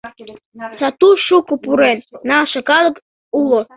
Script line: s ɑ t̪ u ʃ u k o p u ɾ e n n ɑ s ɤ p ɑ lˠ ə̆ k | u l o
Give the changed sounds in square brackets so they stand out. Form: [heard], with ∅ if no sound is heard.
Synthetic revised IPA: s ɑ t̪ u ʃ u k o p u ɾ e n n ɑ [ʃ] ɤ [k] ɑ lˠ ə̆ k | u l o